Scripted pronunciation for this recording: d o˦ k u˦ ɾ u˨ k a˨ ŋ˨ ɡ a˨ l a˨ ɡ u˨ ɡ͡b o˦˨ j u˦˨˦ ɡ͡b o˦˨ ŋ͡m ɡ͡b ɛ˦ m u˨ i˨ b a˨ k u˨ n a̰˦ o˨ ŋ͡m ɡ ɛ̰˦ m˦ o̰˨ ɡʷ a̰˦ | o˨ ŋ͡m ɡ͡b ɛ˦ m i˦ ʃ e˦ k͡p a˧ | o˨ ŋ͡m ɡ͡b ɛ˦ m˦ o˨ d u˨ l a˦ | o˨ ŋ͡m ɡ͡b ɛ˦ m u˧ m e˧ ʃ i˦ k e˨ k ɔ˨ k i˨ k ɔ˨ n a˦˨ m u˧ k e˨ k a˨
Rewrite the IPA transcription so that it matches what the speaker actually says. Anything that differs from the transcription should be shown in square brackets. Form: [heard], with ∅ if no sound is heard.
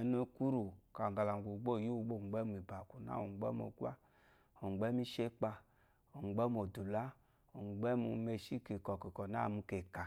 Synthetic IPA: [n] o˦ k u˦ ɾ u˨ k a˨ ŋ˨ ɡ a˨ l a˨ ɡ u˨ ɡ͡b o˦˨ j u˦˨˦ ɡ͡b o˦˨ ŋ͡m ɡ͡b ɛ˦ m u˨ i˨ b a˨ k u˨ n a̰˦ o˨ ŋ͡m [ɡ͡b] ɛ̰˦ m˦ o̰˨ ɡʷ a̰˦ | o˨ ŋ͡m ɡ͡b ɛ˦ m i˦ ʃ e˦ k͡p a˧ | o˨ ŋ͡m ɡ͡b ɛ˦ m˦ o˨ d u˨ l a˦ | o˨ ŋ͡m ɡ͡b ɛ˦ m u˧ m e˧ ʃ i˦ k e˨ k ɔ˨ k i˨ k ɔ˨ n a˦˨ m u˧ k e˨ k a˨

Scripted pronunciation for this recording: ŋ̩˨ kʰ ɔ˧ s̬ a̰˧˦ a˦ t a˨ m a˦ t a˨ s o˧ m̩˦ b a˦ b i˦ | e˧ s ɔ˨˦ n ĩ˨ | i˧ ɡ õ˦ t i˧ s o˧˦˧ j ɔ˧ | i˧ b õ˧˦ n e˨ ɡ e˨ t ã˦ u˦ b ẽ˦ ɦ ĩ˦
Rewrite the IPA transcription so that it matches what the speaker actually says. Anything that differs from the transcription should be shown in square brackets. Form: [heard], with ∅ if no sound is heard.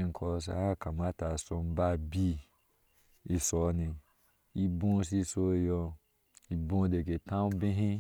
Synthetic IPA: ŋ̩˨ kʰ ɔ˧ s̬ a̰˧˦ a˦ [k] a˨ m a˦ t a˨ s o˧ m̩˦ b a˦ b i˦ | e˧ s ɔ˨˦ n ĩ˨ | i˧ [b] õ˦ [s] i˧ s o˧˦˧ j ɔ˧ | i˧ b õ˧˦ [d] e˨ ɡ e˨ t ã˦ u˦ b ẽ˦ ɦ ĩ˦

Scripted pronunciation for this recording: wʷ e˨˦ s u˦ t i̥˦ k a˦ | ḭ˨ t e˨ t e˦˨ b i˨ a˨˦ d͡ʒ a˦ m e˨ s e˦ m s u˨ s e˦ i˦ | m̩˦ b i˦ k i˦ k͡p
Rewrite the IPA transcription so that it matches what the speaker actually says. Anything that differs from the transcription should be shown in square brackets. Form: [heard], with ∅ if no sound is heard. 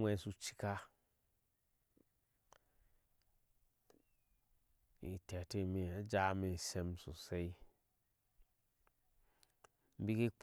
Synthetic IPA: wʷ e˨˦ s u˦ [t͡ʃ] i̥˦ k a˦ | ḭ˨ t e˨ t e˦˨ [m] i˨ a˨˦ d͡ʒ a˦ m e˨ s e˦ m s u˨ s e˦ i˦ | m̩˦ b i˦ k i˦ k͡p

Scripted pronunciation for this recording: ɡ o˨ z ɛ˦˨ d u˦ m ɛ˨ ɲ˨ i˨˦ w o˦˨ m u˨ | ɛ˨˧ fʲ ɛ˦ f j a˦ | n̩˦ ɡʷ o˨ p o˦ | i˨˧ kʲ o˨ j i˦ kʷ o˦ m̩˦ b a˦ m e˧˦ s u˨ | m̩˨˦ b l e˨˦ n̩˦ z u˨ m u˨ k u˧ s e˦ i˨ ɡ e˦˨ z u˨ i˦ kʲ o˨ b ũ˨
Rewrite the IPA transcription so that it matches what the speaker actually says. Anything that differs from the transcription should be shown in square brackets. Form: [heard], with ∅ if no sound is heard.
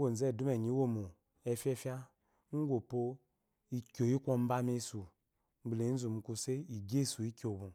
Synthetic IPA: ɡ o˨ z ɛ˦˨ d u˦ m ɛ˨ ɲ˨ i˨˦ w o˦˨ m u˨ | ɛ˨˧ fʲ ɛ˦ f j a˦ | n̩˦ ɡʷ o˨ p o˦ | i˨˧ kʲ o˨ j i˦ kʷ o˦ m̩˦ b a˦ m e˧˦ s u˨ | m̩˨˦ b l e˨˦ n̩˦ z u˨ m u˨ k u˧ s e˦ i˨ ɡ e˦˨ [s] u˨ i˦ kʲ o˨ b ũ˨

